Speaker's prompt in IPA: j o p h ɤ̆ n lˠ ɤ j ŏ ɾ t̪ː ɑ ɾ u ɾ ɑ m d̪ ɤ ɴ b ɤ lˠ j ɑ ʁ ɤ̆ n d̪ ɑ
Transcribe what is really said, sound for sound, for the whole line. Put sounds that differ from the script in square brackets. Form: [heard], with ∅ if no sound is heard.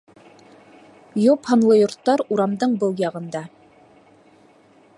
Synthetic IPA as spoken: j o p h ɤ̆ n lˠ ɤ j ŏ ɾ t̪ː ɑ ɾ u ɾ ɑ m d̪ ɤ ɴ b ɤ lˠ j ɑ ʁ ɤ̆ n d̪ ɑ